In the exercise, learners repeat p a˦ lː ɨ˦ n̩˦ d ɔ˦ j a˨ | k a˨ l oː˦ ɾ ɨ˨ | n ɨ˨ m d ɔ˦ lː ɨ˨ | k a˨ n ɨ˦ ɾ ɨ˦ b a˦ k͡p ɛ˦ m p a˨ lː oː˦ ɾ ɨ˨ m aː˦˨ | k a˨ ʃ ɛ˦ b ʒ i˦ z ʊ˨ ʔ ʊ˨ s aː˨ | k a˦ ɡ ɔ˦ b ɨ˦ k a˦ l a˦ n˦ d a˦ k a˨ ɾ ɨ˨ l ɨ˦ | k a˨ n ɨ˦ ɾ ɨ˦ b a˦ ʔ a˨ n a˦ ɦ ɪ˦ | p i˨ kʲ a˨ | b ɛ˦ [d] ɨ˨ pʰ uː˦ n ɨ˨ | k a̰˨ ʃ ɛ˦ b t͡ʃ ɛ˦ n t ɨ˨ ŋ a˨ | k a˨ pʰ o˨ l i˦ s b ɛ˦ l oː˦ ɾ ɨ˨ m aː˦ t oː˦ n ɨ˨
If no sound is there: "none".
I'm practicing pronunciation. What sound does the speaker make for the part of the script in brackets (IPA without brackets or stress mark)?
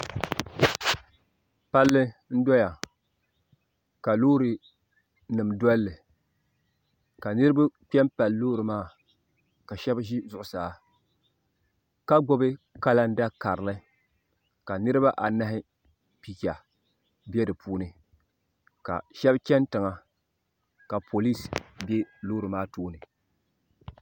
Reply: d